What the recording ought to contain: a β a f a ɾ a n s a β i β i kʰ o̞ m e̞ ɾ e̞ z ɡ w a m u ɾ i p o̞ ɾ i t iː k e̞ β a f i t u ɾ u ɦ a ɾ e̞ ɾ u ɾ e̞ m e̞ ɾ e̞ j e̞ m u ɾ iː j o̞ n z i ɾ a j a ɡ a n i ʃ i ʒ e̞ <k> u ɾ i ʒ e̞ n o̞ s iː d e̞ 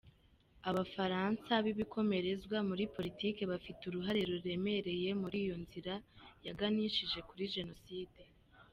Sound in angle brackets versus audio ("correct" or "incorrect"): correct